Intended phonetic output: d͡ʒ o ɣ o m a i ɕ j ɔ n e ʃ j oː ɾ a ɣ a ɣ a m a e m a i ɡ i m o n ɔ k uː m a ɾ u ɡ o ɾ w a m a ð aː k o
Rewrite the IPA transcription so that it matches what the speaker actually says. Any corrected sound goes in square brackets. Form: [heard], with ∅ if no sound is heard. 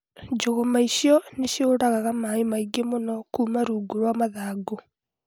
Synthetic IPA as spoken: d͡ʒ o ɣ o m a i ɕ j ɔ n e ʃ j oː ɾ a ɣ a ɣ a m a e m a i ɡ [e] m o n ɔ k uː m a ɾ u ɡ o ɾ w a m a ð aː [ɡ] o